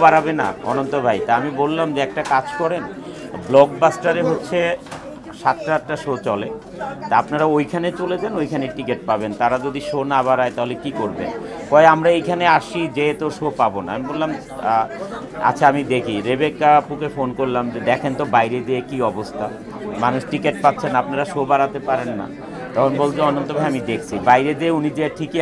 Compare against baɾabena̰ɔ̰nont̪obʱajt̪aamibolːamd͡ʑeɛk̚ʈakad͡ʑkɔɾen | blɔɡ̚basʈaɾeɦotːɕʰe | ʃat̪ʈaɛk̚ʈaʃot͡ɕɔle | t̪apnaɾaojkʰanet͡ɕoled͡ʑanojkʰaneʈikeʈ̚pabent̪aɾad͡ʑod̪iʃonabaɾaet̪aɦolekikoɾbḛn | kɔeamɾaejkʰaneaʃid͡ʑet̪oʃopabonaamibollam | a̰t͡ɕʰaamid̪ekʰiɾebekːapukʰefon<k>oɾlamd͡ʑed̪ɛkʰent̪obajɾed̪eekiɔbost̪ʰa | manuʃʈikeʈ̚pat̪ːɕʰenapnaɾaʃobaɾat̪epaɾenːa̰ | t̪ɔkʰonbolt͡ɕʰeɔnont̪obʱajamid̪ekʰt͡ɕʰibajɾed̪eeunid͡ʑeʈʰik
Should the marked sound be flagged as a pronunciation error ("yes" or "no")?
no